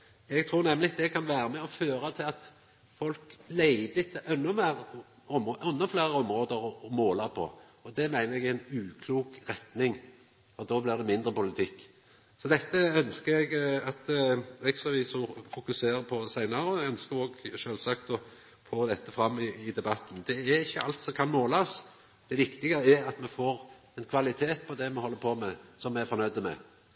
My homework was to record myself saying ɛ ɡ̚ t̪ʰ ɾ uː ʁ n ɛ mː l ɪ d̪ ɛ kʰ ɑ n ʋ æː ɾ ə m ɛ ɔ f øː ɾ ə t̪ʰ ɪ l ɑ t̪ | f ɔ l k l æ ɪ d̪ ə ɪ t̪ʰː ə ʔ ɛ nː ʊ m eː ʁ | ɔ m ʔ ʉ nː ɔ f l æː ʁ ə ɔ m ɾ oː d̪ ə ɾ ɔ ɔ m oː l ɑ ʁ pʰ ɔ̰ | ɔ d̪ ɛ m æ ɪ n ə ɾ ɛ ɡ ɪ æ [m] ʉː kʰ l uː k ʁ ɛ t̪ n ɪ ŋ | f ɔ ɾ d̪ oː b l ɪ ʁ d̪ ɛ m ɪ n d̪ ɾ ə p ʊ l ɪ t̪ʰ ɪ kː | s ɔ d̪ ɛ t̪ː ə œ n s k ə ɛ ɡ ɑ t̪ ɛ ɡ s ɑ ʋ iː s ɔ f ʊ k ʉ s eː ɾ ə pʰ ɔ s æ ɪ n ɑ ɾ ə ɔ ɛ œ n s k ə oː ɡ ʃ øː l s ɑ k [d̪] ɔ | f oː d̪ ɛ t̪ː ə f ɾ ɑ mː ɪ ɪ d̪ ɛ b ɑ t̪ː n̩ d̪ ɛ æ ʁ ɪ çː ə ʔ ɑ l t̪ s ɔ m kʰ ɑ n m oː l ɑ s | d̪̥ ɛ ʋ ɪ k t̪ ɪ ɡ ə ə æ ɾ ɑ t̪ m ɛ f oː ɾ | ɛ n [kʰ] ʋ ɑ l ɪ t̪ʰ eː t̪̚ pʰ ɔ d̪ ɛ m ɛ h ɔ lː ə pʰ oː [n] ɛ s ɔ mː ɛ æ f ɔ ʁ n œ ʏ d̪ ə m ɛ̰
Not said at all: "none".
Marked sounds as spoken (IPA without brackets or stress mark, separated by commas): n, t̪, kʰ, m